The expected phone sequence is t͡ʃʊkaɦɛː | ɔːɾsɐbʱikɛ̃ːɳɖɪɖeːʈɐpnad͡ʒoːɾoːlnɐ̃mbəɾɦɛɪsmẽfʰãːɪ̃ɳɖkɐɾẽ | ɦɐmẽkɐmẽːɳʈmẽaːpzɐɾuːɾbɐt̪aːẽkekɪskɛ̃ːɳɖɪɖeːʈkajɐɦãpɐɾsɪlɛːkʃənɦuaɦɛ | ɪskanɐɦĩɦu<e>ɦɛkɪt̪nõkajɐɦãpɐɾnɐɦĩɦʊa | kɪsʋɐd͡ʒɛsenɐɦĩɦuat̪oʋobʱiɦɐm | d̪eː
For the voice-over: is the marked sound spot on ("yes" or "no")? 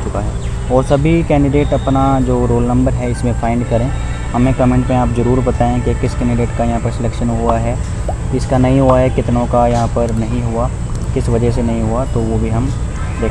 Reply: no